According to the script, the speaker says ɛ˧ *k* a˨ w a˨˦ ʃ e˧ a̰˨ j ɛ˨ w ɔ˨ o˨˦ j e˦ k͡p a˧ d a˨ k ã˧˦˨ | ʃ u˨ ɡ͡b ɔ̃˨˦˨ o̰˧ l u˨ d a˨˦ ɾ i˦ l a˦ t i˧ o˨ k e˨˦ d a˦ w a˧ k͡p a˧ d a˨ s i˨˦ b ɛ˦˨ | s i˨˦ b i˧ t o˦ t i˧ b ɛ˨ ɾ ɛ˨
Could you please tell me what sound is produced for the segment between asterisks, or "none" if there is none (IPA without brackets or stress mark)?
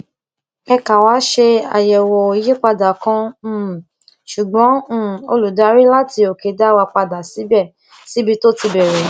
k